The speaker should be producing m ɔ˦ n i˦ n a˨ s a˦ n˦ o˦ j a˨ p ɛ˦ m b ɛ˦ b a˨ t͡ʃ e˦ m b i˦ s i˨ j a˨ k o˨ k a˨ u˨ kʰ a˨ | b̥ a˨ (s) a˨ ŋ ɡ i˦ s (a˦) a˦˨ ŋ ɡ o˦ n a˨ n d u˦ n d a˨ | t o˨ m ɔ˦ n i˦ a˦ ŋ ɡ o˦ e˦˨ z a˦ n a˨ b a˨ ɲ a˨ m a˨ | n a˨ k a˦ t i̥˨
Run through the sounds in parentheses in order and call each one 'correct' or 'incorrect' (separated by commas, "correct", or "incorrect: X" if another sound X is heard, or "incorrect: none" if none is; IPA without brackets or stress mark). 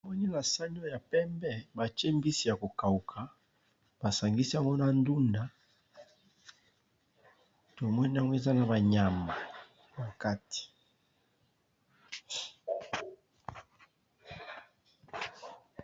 correct, incorrect: i˦